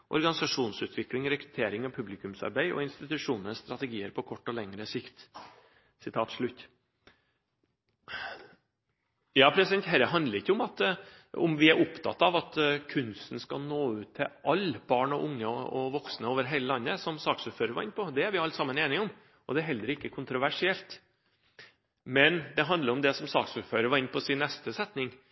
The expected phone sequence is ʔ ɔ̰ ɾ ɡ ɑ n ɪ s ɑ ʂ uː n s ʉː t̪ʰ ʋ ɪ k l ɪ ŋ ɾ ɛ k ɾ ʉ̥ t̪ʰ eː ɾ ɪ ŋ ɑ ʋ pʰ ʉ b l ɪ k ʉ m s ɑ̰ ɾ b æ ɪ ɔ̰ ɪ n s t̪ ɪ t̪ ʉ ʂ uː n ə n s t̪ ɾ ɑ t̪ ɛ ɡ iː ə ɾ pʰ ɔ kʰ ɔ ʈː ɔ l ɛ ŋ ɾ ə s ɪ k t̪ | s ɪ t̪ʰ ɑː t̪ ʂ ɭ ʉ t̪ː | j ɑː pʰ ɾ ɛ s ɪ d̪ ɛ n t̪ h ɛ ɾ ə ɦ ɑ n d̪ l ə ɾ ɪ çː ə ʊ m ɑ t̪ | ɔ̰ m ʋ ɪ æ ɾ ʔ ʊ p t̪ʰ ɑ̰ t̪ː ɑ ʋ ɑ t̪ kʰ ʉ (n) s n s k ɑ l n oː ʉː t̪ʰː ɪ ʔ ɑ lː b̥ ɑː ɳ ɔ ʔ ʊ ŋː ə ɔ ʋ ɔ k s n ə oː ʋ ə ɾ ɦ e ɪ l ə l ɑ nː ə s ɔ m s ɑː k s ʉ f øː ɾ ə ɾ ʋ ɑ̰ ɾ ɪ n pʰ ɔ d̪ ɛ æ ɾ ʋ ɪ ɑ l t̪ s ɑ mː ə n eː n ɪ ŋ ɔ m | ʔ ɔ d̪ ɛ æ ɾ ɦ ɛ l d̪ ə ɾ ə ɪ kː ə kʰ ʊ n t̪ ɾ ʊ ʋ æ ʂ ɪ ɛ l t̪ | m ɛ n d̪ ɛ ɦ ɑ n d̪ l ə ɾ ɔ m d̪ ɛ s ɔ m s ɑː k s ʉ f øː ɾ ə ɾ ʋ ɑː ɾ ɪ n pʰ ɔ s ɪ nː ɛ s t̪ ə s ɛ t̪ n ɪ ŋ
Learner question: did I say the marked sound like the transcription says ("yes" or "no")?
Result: yes